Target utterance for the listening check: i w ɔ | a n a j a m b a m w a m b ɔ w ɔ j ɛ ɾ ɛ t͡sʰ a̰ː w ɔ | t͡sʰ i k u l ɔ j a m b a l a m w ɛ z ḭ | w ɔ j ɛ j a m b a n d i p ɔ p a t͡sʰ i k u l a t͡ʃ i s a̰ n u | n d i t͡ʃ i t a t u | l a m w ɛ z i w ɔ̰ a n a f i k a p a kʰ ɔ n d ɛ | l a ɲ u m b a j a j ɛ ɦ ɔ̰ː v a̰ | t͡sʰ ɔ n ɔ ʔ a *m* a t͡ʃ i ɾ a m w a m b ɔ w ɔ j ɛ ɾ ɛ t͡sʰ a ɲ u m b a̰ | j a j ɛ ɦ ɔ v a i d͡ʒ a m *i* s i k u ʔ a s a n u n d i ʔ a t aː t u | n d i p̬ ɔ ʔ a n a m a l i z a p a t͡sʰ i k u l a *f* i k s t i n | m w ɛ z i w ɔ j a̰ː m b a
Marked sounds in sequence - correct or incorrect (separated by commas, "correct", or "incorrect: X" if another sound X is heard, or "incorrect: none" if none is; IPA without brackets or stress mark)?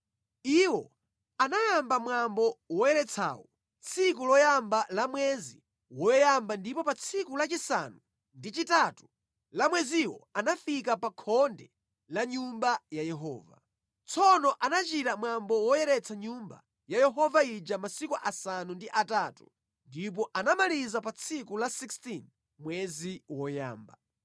incorrect: n, incorrect: a, incorrect: s